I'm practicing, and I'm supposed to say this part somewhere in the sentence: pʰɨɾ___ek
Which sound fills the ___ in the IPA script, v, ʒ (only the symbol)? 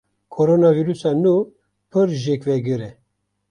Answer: ʒ